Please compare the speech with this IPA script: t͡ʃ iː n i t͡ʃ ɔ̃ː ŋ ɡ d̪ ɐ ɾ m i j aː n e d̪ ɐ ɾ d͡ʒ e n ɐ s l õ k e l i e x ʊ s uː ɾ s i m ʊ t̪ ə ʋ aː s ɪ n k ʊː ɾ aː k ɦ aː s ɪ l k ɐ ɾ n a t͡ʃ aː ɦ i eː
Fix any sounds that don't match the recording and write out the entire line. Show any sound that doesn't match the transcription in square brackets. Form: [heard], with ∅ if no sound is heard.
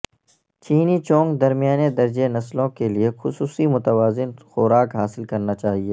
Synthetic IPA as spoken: t͡ʃ iː n i t͡ʃ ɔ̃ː ŋ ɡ d̪ ɐ ɾ m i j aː n e d̪ ɐ ɾ d͡ʒ e n ɐ s l õ k e l i e x ʊ s uː [∅] s i m ʊ t̪ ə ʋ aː [z] ɪ n [x] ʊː ɾ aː k ɦ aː s ɪ l k ɐ ɾ n a t͡ʃ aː ɦ i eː